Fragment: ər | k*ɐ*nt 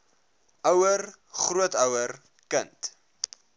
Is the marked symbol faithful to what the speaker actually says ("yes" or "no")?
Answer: no